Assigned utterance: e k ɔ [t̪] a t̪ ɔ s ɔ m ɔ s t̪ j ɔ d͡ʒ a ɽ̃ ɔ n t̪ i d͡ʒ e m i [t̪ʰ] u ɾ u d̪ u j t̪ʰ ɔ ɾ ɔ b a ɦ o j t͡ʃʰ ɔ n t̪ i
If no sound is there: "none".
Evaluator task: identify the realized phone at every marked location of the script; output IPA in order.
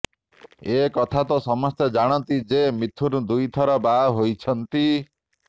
t̪ʰ, t̪ʰ

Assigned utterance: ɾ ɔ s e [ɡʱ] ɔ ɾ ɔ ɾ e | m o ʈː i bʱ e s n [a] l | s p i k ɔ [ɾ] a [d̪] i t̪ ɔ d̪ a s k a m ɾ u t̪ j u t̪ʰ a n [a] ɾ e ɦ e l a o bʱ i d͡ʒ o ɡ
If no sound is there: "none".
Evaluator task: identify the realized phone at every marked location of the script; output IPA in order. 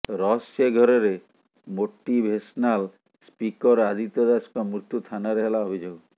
ɡʱ, a, ɾ, d̪, a

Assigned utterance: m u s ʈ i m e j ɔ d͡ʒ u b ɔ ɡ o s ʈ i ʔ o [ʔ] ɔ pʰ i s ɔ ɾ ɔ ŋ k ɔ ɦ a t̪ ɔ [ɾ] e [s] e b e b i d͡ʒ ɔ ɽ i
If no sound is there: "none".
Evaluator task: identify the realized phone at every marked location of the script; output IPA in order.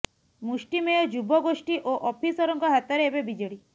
ʔ, ɾ, none

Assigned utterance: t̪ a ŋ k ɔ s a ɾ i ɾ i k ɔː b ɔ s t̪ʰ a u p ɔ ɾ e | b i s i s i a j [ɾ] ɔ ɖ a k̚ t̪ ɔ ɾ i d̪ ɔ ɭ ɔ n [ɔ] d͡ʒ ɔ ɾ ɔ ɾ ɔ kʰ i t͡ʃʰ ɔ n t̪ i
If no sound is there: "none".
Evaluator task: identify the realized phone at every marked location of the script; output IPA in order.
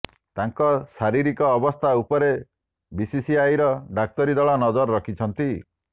ɾ, ɔ

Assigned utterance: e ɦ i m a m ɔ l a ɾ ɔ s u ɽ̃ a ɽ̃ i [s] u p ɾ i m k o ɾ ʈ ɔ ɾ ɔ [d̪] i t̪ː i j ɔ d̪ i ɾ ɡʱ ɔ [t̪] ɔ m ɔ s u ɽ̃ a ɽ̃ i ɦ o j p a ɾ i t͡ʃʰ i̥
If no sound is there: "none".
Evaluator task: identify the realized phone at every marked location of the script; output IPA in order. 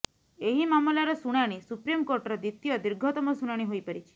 s, d̪, t̪

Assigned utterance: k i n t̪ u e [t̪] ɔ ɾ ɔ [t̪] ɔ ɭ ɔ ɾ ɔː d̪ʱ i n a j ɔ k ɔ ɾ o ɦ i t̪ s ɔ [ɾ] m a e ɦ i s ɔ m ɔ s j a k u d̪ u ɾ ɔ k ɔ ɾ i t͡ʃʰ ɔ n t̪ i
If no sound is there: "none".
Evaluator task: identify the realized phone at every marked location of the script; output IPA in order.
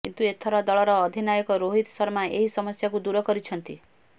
t̪ʰ, d̪, ɾ

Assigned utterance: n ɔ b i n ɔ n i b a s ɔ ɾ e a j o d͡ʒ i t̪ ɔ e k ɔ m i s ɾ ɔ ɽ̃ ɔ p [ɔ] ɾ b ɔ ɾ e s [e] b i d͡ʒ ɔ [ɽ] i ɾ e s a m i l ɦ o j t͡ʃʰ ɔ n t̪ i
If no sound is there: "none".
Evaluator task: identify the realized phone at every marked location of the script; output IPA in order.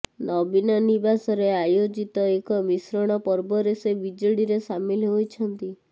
ɔ, e, ɽ

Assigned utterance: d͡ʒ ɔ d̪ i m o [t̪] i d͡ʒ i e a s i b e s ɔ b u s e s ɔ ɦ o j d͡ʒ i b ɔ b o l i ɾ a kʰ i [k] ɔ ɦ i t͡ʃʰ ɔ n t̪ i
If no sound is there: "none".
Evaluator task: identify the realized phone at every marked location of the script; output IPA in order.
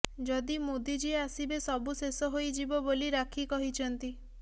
d̪, k

